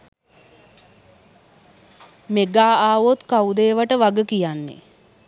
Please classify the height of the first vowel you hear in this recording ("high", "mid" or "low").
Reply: mid